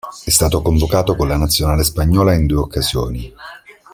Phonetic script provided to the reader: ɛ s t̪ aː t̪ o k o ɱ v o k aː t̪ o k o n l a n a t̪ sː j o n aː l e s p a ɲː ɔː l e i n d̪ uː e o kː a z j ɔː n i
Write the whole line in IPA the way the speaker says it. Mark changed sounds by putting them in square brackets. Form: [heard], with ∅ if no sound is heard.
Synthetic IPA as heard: ɛ s t̪ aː t̪ o k o ɱ v o k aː t̪ o k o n l a n a t̪ sː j o n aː l e s p a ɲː ɔː l [a] i n d̪ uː e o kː a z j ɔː n i